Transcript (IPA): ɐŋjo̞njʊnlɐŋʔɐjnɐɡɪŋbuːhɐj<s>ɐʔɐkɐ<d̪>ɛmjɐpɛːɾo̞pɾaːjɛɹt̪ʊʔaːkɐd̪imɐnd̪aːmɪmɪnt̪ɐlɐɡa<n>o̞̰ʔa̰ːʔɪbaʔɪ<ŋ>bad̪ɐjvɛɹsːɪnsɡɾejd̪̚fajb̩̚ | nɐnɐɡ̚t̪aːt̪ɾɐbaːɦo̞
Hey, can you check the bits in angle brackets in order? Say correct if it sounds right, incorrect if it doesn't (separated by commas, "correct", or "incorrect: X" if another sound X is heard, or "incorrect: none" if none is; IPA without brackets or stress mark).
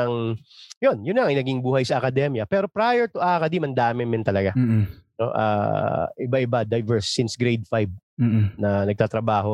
correct, correct, correct, incorrect: none